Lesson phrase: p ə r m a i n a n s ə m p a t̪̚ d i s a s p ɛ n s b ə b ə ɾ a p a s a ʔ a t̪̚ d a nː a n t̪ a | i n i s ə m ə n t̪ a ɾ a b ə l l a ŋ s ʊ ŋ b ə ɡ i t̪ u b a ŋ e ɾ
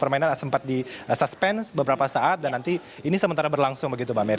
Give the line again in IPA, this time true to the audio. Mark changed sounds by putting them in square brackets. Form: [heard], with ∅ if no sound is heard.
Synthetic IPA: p ə r m a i n a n s ə m p a t̪̚ d i s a s p ɛ n s b ə b ə ɾ a p a s a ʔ a t̪̚ d a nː a n t̪ [i] | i n i s ə m ə n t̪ a ɾ a b ə [r] l a ŋ s ʊ ŋ b ə ɡ i t̪ u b a [m] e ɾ